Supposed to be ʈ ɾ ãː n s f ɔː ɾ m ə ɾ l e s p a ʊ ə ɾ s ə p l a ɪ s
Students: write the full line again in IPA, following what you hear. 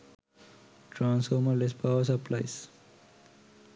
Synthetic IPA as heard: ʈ ɾ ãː n s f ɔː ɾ m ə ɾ l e s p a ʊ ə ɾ s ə p l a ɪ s